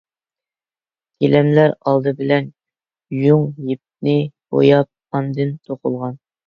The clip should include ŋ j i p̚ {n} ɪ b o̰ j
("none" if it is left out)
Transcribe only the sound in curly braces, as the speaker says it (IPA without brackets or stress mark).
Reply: n